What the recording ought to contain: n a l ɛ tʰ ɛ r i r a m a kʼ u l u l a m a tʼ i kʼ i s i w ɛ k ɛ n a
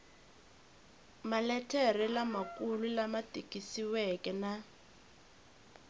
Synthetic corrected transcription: m a l ɛ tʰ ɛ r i l a m a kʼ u l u l a m a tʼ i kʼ i s i w ɛ k ɛ n a